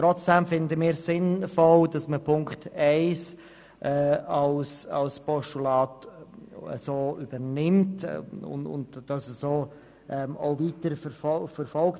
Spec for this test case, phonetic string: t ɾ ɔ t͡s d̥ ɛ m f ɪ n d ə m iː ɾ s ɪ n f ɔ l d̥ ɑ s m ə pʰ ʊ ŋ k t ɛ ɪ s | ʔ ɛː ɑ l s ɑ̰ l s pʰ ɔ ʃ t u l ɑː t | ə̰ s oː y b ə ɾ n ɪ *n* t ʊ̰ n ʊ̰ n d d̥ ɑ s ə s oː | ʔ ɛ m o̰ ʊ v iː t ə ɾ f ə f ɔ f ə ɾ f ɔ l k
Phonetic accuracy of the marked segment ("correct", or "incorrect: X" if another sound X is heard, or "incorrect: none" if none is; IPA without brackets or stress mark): incorrect: m